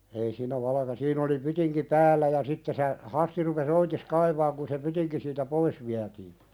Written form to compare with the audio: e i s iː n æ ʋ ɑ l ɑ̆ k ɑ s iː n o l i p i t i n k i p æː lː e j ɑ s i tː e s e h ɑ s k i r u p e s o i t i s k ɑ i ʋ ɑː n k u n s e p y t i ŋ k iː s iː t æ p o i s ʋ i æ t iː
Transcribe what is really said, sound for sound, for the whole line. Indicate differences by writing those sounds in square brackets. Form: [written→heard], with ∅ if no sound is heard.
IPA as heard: e i s iː n æ ʋ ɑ l ɑ̆ k ɑ s iː n o l i p [i→y] t i [n→ŋ] k i p æː lː [e→æ] j ɑ s i tː e s e h ɑ s [k→t] i r u p e s o i t i s k ɑ i ʋ ɑː [n→ŋ] k u n s e p y t i ŋ k [iː→i] s iː t æ p o i s ʋ i æ t iː

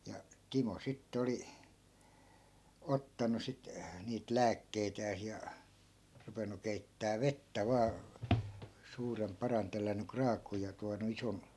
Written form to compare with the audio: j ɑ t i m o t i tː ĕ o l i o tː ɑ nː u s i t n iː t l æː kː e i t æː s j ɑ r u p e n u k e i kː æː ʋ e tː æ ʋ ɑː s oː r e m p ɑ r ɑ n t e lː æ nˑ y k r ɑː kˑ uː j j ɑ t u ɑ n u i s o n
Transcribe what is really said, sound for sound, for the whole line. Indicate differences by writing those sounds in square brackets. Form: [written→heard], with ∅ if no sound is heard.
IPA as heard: j ɑ t i m o [t→s] i tː ĕ o l i o tː ɑ [nː→n] u s i t n iː t l æː kː e i t æː s j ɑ r u p e n u k e i [kː→tː] æː ʋ e tː æ ʋ ɑː s [oː→uː] r e m p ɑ r ɑ n t e lː æ nˑ y k r ɑː kˑ uː j j ɑ t u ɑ n u i s o n

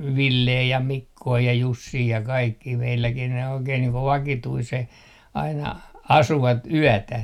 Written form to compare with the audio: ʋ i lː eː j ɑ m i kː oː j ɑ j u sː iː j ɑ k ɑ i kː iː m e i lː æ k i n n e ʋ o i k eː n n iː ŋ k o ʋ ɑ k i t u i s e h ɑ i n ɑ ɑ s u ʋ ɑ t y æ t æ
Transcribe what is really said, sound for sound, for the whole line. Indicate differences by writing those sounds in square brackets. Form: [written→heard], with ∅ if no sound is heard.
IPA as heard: ʋ i lː eː j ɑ m i kː oː j ɑ j u sː iː j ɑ k ɑ i kː iː m e i lː æ k i n n e [ʋ→∅] o i k eː n n iː ŋ k o ʋ ɑ k i t u i s e h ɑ i n ɑ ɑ s u ʋ ɑ t y æ t æ

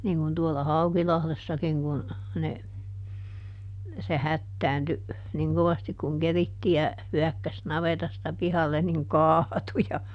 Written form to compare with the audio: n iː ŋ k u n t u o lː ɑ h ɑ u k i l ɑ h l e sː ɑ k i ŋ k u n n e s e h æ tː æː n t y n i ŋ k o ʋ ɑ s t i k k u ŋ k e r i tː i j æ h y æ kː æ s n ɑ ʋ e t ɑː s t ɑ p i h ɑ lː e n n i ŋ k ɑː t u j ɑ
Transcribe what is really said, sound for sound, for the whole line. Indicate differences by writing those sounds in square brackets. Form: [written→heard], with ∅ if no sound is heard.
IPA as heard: n iː ŋ k u n t u o lː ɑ h ɑ u k i l ɑ h l e sː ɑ k i ŋ k u n n e s e h æ tː æː n t y n i ŋ k o ʋ ɑ s t i k k u ŋ k e r i tː i j æ h y æ kː æ s n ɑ ʋ e t [ɑː→ɑ] s t ɑ p i h ɑ lː e n n i ŋ k ɑː t u j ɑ

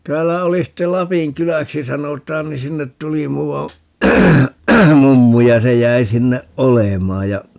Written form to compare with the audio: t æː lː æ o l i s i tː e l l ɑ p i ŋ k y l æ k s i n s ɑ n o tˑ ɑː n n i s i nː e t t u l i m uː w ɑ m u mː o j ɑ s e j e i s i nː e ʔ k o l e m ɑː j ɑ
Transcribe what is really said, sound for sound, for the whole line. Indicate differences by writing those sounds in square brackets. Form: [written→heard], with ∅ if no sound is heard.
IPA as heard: t æː lː æ o l i s i tː e l l ɑ p i ŋ k y l æ k s i [n→∅] s ɑ n o tˑ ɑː n n i s i nː e t t u l i m uː w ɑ m u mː [o→u] j ɑ s e j [e→æ] i s i nː e ʔ [k→ʔ] o l e m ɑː j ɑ

